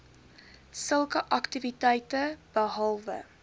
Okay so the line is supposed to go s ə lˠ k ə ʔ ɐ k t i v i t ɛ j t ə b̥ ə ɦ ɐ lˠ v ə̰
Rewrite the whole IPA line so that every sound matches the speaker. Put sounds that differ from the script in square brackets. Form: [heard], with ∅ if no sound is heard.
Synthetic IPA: s ə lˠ k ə ʔ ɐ k t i v i t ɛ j t ə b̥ ə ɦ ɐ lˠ v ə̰